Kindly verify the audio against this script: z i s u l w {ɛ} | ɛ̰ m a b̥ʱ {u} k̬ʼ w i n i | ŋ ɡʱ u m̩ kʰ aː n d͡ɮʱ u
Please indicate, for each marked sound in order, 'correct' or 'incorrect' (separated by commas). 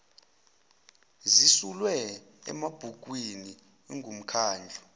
correct, correct